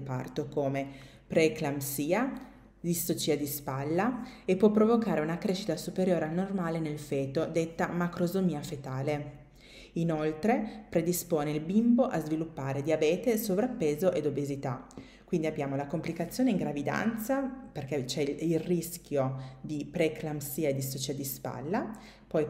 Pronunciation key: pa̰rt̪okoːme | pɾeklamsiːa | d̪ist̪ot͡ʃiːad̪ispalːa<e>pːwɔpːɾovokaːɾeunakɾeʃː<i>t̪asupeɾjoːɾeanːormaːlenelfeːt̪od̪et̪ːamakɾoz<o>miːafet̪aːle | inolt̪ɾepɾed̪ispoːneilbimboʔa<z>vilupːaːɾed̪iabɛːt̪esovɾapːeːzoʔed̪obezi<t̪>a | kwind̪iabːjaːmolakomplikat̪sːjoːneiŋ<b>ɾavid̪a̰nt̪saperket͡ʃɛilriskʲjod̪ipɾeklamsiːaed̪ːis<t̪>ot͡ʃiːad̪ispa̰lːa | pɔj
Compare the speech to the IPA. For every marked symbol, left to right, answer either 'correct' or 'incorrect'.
correct, correct, correct, correct, correct, incorrect: ɡ, correct

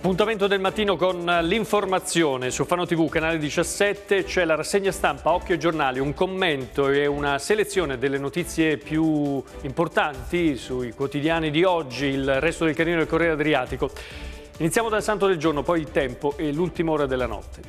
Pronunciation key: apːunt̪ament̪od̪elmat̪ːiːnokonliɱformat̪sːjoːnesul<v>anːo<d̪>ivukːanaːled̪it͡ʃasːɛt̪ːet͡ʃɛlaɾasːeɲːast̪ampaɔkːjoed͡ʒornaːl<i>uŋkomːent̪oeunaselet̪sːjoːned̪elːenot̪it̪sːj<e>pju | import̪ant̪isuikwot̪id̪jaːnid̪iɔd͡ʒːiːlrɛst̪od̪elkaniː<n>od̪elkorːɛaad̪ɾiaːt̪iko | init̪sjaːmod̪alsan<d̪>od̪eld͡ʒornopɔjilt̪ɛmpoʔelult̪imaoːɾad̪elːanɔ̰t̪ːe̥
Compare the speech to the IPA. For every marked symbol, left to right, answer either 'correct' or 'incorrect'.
incorrect: f, incorrect: t̪, correct, correct, correct, incorrect: t̪

